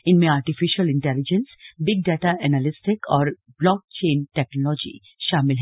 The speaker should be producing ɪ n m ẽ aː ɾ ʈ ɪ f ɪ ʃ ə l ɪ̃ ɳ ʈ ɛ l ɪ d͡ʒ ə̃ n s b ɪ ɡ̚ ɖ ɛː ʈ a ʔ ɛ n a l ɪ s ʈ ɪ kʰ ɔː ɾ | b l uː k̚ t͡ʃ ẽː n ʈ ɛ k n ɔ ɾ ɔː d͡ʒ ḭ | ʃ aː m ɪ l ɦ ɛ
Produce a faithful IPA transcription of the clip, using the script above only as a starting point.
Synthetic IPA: ɪ n m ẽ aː ɾ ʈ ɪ f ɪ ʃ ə l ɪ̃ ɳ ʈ ɛ l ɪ d͡ʒ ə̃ n s b ɪ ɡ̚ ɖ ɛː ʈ a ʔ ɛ n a l ɪ s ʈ ɪ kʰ ɔː ɾ | b l ɔː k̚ t͡ʃ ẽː n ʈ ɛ k n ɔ l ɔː d͡ʒ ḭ | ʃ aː m ɪ l ɦ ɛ